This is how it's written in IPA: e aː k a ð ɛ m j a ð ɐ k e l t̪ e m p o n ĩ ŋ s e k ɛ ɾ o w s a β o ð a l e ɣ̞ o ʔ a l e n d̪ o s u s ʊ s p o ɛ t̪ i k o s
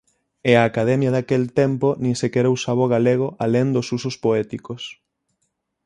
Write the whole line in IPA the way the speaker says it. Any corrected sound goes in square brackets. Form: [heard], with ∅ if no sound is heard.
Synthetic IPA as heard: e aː k a ð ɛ m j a ð [a] k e l t̪ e m p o n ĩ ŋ s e k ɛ ɾ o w s a β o [ɣ] a l e ɣ̞ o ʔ a l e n d̪ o s u s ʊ s p o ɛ t̪ i k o s